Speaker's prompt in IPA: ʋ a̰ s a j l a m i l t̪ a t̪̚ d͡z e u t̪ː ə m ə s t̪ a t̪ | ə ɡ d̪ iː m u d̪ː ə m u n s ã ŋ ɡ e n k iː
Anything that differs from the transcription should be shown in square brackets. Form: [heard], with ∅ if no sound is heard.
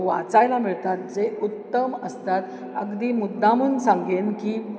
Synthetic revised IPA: ʋ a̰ [t͡s] a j l a m i [ɭ] t̪ a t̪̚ d͡z e u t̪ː ə m ə s t̪ a t̪ | ə ɡ d̪ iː m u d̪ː [a] m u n s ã ŋ ɡ e n k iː